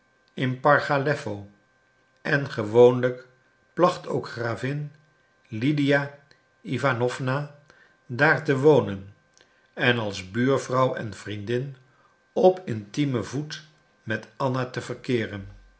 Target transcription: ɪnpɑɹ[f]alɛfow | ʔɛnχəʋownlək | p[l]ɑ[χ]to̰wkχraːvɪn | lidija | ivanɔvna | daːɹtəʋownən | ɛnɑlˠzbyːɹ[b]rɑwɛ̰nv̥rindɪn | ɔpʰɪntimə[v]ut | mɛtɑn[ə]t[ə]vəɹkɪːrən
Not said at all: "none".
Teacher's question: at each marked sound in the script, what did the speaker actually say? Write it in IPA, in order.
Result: χ, l, χ, v, v, a, ə

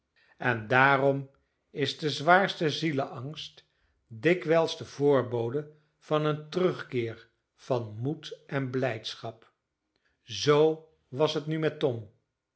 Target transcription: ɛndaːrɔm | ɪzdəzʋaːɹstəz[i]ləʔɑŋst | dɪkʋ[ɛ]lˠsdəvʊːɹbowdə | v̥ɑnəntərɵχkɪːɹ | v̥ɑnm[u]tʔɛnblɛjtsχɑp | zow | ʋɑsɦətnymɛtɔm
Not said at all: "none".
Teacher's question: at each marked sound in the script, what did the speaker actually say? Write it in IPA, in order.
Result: i, ɛ, u

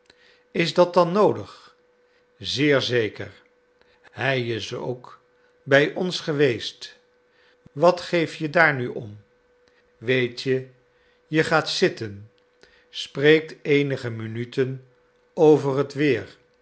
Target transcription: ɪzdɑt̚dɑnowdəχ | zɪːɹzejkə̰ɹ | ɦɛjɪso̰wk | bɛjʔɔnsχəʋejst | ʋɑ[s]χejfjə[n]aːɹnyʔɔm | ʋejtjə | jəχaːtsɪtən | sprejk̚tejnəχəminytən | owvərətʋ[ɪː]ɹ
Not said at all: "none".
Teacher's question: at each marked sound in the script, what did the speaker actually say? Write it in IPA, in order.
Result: t, d, ɪː

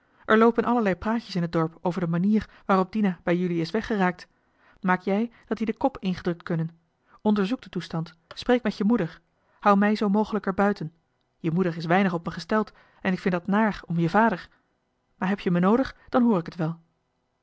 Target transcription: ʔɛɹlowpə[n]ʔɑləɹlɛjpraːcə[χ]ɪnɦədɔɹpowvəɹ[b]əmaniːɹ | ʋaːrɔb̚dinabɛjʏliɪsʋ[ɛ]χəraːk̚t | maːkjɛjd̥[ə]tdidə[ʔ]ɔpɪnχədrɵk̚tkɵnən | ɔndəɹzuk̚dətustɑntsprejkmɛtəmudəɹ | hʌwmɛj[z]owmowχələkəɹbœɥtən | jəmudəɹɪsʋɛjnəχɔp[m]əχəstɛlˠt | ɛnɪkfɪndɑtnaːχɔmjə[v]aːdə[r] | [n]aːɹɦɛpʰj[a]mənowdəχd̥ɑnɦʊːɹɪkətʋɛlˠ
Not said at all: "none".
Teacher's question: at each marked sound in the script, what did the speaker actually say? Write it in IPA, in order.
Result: n, s, d, ɛ, ɑ, k, z, m, v, ɹ, m, ə

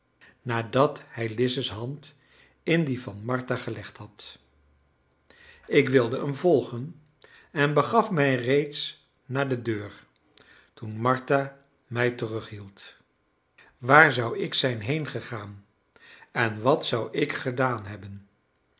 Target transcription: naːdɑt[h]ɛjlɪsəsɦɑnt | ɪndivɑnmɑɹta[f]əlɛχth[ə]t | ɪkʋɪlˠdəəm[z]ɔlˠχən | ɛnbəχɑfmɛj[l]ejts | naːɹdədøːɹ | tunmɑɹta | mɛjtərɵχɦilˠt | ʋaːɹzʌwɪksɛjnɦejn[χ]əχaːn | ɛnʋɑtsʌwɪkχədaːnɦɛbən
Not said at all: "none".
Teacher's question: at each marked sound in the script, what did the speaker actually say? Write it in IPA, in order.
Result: h, χ, ɑ, v, r, χ

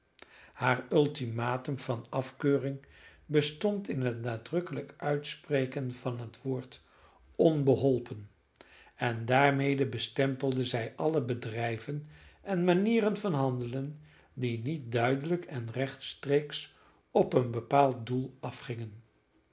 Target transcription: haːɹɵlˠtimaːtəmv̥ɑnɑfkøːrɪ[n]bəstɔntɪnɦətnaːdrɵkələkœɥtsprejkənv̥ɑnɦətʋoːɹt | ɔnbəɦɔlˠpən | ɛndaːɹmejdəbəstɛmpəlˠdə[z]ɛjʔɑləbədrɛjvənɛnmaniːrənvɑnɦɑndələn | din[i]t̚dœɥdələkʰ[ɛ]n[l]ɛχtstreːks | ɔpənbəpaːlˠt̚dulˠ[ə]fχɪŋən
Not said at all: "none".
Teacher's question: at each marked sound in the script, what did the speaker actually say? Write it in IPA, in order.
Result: ŋ, z, i, ɛ, r, ɑ

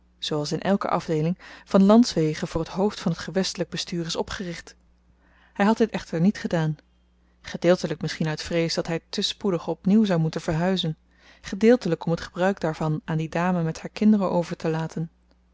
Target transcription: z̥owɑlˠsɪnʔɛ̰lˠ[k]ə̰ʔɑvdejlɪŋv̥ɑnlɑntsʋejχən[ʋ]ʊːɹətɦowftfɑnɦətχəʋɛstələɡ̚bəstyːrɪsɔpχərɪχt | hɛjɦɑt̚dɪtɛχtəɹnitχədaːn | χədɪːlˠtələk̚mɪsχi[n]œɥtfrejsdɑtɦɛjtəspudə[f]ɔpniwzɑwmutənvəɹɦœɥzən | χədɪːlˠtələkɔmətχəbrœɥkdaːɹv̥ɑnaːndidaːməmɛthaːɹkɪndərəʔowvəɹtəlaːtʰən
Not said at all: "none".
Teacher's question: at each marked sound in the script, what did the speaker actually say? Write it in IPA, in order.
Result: k, v, n, χ

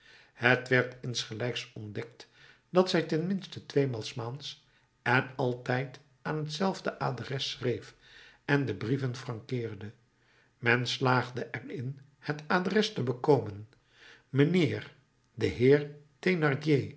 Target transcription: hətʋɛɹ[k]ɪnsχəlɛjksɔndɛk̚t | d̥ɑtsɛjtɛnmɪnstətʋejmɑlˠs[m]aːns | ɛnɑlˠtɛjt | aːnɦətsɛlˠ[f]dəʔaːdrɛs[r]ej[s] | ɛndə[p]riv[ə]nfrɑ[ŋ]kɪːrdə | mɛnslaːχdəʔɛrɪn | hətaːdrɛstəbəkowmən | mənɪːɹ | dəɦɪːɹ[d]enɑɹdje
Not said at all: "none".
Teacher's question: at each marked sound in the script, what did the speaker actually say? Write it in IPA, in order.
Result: t, m, v, r, f, b, ə, ŋ, t

